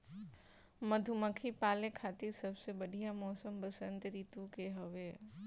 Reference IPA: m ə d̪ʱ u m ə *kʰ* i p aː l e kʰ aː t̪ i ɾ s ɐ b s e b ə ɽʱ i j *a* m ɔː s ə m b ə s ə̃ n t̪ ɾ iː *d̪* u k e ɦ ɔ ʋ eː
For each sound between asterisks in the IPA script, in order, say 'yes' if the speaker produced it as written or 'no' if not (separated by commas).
yes, yes, no